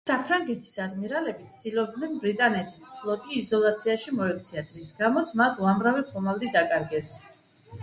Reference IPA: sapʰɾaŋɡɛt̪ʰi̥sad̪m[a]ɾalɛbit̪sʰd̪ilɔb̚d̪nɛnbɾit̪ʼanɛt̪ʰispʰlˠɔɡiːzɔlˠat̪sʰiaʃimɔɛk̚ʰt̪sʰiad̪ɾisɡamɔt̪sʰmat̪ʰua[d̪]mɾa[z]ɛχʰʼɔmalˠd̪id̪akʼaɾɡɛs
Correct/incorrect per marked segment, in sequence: incorrect, incorrect, incorrect

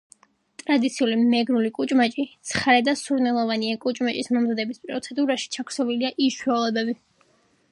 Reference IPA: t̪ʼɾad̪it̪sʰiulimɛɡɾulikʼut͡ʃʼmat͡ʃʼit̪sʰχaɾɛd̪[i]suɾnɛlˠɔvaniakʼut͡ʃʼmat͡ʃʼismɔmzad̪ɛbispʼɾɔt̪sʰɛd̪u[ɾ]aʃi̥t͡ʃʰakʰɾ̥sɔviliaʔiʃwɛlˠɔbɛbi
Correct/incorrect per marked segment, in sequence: incorrect, correct

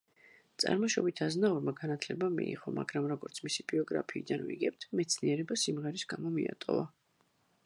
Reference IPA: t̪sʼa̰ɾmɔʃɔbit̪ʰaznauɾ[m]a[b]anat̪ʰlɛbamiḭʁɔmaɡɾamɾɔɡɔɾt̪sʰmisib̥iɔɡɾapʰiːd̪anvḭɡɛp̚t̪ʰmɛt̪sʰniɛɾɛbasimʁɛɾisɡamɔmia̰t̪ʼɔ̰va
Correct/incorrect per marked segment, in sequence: correct, incorrect

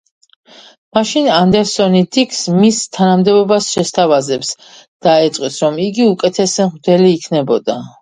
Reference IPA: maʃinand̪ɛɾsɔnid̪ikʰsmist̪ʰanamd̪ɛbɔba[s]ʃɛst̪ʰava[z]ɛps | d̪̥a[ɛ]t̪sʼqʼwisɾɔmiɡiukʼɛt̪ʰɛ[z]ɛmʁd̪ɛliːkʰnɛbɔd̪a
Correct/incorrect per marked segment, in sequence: correct, correct, correct, incorrect

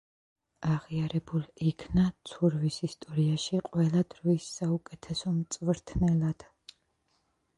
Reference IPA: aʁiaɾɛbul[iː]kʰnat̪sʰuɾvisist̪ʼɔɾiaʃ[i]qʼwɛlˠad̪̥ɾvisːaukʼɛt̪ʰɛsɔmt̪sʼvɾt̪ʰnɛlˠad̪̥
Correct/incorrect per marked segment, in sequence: incorrect, correct

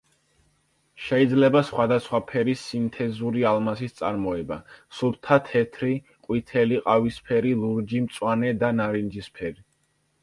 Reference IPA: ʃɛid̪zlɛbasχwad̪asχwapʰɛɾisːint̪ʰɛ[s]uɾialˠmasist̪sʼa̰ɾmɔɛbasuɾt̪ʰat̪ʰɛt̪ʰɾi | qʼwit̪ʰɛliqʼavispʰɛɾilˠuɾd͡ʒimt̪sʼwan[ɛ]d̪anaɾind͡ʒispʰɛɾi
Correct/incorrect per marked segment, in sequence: incorrect, correct

